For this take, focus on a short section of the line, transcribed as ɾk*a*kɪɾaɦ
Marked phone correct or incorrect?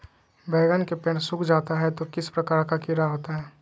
correct